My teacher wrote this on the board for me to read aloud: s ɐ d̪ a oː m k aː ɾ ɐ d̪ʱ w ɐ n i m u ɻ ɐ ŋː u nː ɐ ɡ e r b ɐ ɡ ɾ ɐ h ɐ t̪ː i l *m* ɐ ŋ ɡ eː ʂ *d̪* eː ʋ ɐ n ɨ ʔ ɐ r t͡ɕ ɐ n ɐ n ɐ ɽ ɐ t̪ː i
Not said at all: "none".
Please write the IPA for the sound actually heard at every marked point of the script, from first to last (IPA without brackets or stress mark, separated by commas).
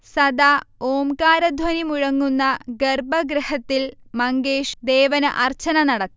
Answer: m, d̪